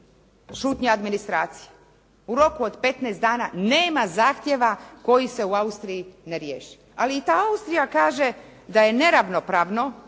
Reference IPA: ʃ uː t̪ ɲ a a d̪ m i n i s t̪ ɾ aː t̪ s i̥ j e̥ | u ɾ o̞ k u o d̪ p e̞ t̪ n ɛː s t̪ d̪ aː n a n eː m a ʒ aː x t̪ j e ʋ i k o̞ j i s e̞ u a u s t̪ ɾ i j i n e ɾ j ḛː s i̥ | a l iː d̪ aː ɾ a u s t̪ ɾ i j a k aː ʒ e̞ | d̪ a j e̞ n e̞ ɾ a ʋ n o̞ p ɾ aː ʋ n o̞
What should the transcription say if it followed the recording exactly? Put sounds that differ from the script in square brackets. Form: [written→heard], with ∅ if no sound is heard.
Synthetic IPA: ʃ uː t̪ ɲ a a d̪ m i n i s t̪ ɾ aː t̪ s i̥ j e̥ | u ɾ o̞ k u o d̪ p e̞ t̪ n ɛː s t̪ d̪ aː n a n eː m a [ʒ→z] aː x t̪ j e ʋ [i→a] k o̞ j i s e̞ u a u s t̪ ɾ i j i n e ɾ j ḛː [s→ʃ] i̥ | a l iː [d̪→t̪] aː [ɾ→∅] a u s t̪ ɾ i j a k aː ʒ e̞ | d̪ a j e̞ n e̞ ɾ a ʋ n o̞ p ɾ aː ʋ n o̞